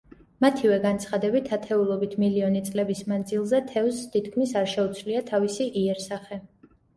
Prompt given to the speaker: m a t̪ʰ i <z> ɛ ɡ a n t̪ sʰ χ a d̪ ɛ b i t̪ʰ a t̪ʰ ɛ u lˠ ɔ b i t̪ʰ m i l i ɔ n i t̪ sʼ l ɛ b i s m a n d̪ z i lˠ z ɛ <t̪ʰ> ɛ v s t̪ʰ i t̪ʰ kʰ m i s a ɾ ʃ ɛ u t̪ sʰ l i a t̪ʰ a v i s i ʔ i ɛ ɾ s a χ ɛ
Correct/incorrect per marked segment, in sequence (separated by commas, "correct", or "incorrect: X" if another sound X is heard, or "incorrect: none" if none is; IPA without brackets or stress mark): incorrect: v, correct